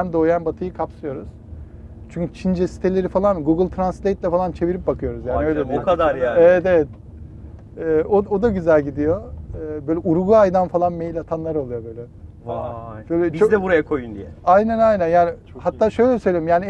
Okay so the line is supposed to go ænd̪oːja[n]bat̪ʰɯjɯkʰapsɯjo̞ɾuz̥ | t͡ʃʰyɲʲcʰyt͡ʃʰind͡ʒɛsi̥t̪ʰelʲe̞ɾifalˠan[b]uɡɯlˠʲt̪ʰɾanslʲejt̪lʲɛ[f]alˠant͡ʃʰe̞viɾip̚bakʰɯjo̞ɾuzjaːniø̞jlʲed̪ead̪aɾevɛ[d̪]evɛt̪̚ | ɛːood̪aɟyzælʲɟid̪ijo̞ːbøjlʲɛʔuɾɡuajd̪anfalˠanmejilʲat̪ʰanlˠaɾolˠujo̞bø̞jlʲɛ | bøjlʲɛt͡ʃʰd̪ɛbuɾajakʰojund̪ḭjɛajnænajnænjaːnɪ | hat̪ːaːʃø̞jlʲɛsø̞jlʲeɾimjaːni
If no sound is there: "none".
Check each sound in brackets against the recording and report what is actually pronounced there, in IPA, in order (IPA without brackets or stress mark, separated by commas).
n, ɡ, f, t̪